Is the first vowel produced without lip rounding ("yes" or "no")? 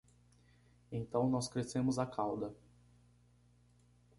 yes